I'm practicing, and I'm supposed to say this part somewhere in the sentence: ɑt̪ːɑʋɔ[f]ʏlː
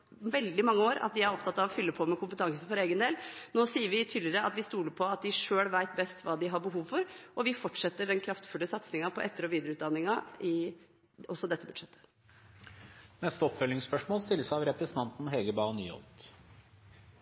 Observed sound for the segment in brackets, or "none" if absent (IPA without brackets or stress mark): f